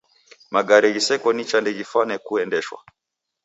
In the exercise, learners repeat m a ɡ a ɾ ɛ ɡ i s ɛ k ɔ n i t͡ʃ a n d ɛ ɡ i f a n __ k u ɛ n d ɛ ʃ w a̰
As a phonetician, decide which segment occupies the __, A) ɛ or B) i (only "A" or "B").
A